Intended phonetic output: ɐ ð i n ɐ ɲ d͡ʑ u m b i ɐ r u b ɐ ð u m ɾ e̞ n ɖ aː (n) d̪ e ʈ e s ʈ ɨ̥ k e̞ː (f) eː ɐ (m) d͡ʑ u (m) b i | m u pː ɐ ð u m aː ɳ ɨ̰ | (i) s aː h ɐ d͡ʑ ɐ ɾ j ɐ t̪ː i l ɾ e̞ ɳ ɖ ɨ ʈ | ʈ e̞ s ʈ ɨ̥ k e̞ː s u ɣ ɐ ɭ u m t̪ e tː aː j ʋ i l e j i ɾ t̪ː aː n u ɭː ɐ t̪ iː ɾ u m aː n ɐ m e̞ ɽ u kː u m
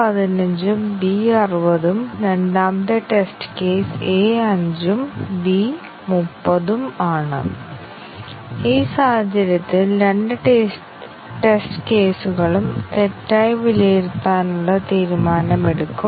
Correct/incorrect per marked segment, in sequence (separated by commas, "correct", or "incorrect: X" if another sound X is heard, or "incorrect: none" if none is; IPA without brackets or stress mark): incorrect: m, incorrect: s, incorrect: ɲ, correct, incorrect: iː